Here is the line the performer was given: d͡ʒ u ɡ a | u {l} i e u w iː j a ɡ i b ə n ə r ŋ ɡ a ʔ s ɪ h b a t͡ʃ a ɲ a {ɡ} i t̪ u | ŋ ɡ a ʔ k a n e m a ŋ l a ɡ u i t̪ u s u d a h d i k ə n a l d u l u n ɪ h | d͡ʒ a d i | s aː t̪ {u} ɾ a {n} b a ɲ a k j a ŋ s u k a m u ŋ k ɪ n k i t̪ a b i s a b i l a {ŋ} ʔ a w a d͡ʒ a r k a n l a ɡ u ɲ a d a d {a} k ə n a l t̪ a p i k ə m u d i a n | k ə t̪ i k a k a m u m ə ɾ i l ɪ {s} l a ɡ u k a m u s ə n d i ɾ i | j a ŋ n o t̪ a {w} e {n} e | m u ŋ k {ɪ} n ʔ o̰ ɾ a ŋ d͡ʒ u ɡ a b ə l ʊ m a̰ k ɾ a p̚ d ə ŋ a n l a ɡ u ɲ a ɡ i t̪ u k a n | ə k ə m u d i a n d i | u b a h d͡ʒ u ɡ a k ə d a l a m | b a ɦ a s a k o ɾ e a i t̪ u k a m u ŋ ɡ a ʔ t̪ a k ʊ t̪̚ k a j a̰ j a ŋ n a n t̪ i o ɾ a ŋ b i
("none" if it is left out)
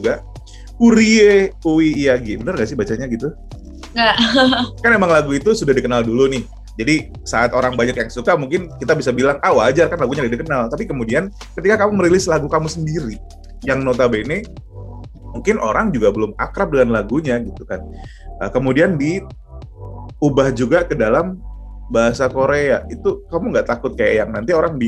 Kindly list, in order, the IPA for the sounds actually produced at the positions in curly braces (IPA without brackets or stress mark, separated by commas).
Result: ɾ, ɡ, o, ŋ, ŋ, i, s, b, n, ɪ